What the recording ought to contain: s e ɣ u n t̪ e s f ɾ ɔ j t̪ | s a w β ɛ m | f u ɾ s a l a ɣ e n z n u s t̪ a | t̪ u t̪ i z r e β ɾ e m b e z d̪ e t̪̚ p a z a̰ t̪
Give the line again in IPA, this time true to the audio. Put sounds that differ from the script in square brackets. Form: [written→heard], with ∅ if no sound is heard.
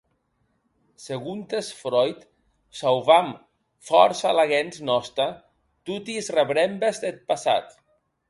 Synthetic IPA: s e ɣ u n t̪ e s f ɾ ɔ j t̪ | s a w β [ɛ→a] m | f [u→ɔ] ɾ s a l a ɣ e n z n [u→ɔ] s t̪ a | t̪ u t̪ i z r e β ɾ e m b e z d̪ e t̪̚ p a [z→s] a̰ t̪